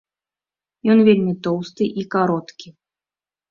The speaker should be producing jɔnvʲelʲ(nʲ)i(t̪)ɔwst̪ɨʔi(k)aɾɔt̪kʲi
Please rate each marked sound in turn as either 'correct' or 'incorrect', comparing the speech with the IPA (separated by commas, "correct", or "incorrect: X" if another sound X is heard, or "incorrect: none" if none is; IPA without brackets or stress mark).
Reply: incorrect: mʲ, correct, correct